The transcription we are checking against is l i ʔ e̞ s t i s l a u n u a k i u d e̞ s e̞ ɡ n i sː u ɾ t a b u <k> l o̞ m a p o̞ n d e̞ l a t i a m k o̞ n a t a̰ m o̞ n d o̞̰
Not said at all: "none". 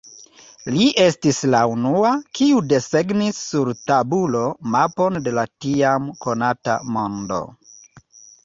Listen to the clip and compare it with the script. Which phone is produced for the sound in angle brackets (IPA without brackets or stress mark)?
none